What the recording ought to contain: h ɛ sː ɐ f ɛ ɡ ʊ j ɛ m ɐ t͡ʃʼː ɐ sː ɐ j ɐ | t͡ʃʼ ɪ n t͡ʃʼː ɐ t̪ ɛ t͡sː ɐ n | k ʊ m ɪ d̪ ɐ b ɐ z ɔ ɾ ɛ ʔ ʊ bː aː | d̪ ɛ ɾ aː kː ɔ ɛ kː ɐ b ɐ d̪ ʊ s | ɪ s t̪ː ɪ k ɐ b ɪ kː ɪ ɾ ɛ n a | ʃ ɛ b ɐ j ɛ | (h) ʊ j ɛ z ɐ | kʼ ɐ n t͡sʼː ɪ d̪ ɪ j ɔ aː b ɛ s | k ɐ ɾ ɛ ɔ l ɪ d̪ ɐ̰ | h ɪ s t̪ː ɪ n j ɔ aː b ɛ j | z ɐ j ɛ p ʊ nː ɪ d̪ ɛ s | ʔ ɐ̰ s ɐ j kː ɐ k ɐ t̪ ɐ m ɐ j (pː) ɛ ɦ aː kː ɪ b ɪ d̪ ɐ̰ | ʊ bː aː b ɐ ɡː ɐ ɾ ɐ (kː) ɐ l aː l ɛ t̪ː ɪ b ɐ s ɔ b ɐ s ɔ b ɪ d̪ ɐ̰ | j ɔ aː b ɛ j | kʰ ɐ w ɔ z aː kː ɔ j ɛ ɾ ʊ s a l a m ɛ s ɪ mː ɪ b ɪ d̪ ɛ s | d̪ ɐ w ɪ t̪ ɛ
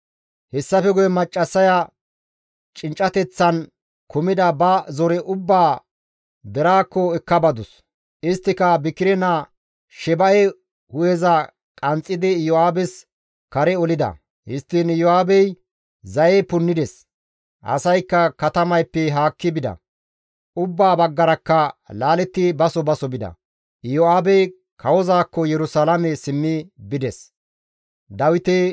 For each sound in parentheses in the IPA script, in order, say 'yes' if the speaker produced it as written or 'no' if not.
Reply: yes, yes, yes

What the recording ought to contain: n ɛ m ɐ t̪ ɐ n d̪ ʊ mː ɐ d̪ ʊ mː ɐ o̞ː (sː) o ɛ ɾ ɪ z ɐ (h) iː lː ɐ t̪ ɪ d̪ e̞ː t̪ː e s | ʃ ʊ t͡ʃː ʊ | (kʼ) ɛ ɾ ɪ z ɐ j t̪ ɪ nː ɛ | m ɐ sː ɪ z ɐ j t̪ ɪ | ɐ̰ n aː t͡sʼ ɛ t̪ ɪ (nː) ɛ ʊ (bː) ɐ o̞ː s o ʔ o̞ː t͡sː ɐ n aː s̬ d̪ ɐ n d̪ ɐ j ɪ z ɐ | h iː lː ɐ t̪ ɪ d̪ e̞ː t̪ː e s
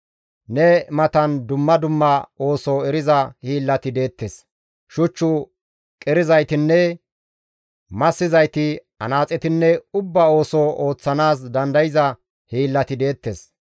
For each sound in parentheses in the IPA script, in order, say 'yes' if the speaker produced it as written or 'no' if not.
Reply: no, yes, yes, yes, yes

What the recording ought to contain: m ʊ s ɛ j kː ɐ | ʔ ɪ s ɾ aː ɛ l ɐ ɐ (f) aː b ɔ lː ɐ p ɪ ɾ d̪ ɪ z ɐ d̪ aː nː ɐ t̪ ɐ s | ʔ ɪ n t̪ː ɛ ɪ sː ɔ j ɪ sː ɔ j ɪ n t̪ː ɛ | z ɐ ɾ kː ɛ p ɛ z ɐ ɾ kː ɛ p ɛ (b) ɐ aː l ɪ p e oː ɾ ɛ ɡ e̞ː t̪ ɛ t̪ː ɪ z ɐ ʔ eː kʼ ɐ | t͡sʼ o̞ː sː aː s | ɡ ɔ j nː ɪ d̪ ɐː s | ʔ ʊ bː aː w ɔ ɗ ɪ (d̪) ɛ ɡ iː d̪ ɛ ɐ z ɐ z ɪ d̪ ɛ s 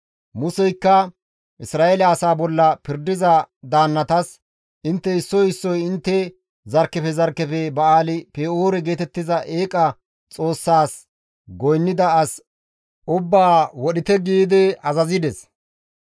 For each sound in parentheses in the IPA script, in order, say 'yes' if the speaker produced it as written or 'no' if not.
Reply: no, yes, no

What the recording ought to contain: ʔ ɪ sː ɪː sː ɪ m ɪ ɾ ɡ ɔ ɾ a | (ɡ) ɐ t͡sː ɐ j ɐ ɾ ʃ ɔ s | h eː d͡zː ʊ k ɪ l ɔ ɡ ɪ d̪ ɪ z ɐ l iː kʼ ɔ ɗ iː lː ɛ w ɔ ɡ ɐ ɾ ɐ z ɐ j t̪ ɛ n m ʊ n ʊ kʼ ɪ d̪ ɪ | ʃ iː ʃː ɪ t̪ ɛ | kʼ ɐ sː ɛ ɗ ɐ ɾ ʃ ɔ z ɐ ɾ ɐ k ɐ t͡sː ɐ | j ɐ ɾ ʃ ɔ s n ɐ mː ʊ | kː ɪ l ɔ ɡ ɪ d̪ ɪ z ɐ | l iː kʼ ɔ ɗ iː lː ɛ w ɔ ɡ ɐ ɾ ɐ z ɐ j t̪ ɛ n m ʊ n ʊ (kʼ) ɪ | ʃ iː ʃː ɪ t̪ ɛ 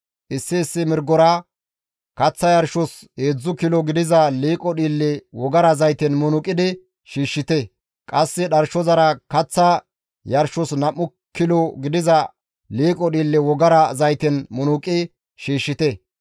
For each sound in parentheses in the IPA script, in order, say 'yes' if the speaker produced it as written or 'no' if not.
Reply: no, yes

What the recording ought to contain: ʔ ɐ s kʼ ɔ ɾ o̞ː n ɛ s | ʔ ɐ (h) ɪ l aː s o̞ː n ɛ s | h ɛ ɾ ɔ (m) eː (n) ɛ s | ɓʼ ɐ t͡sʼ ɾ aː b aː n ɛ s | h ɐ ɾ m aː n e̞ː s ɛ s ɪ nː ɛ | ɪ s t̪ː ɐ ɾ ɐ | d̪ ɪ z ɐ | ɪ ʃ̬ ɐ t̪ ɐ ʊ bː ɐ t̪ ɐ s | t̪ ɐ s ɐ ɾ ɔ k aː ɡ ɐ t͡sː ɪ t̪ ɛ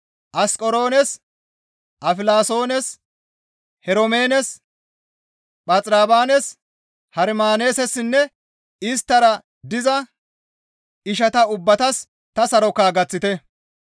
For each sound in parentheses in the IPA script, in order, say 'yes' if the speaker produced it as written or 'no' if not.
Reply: no, yes, yes

